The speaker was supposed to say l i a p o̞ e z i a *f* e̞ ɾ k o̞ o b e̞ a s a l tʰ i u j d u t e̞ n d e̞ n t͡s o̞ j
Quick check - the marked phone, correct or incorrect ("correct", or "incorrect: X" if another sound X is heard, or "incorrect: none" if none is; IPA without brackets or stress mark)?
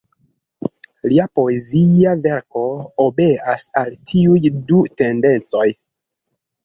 incorrect: v